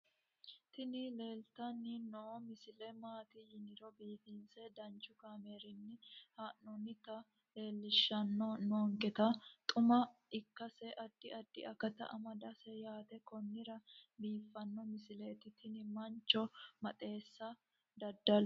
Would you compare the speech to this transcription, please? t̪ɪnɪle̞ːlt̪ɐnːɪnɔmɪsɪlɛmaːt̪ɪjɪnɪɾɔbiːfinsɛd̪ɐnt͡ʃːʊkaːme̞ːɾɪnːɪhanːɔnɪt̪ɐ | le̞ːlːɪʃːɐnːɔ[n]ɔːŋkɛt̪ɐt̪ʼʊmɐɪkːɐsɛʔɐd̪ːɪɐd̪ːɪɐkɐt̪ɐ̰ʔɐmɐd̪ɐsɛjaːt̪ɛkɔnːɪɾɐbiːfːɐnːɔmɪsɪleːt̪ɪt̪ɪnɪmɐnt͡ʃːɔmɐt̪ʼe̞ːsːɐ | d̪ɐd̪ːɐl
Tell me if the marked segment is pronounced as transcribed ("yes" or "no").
yes